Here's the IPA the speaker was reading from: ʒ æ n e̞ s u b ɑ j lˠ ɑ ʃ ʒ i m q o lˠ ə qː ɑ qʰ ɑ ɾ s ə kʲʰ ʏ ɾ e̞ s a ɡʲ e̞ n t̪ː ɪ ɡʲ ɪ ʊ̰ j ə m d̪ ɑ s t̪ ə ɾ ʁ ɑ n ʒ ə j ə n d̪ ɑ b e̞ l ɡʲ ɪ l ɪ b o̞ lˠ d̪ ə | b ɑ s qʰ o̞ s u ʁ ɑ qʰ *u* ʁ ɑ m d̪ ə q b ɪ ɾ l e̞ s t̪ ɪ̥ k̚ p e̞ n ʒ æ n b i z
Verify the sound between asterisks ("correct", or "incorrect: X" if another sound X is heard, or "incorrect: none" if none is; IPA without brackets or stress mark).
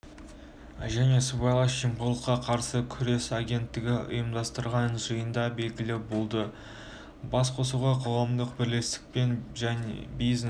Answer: incorrect: o